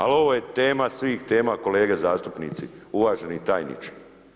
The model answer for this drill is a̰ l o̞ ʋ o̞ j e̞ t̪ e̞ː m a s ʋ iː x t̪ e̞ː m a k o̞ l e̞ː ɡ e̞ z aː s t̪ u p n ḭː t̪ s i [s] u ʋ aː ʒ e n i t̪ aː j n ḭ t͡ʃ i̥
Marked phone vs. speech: incorrect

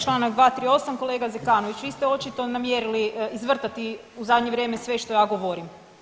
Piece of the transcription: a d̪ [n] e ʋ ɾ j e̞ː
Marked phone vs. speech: incorrect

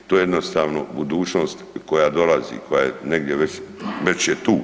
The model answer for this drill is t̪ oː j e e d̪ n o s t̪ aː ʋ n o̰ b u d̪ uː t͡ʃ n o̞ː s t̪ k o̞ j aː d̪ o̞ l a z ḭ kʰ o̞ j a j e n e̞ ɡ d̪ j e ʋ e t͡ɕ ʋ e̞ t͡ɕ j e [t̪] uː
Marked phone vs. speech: correct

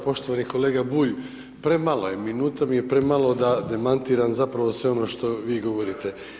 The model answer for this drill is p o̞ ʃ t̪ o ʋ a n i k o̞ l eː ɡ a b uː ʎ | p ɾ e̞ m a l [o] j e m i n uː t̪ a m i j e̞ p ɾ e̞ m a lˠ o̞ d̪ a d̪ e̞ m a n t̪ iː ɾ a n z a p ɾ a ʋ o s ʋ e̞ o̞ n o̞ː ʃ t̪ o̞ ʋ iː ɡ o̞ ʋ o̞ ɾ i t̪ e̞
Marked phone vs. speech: correct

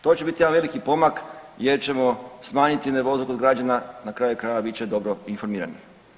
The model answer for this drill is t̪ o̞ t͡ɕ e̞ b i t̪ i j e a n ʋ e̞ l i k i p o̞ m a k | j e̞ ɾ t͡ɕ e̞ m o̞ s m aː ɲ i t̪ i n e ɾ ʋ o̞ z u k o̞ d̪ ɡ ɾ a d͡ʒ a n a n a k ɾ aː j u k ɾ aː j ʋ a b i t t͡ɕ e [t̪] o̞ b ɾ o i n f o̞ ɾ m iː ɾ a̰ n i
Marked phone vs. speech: incorrect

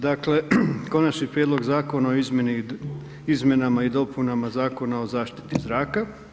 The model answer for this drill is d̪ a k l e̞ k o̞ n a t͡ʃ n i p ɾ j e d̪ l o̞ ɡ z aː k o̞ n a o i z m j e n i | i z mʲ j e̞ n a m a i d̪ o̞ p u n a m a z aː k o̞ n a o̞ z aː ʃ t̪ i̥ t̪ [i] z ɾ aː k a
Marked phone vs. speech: correct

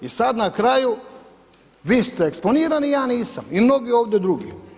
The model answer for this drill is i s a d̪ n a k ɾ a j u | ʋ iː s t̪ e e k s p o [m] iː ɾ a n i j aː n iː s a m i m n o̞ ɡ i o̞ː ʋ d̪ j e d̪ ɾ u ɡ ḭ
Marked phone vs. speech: incorrect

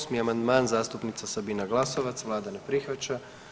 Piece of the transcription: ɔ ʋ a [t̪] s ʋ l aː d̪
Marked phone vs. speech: correct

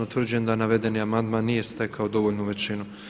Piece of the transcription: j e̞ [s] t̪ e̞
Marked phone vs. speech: correct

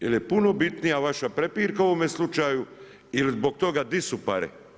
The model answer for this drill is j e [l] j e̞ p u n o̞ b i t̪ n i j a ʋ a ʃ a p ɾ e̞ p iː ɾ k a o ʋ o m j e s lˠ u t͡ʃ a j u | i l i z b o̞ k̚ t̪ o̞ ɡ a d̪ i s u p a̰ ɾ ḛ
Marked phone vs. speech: correct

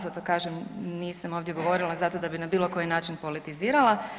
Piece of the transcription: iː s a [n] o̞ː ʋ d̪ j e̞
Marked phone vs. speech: incorrect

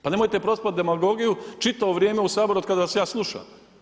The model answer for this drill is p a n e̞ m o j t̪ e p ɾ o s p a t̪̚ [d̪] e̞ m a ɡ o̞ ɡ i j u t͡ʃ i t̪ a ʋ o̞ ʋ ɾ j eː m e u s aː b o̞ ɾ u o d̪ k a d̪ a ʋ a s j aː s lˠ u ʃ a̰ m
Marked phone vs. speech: correct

